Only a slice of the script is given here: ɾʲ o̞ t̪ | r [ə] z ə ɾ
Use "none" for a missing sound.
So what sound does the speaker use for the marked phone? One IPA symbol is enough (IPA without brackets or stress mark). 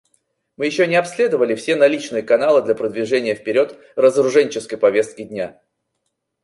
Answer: ə